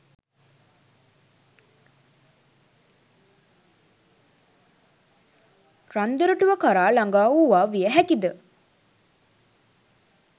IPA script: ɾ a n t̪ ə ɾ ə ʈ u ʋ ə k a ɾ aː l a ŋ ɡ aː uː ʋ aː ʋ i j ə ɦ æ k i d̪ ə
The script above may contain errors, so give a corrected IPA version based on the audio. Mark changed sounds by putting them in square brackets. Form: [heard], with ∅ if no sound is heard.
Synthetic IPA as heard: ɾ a n [d̪] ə ɾ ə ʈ u ʋ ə k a ɾ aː l a ŋ ɡ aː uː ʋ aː ʋ i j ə ɦ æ k i d̪ ə